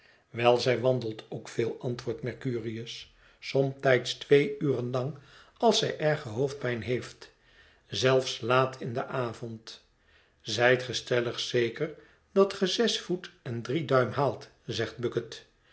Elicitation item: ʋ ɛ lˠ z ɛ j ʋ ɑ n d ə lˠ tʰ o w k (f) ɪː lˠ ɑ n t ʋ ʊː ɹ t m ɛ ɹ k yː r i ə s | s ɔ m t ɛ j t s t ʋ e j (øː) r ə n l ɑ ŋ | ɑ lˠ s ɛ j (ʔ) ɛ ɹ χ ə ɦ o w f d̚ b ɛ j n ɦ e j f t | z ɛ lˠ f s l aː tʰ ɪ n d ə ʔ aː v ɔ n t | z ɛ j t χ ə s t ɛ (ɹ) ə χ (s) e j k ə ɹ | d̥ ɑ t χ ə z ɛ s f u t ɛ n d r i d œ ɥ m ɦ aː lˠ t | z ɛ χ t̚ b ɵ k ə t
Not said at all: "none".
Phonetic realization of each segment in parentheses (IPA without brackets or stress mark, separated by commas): f, yː, ʔ, l, s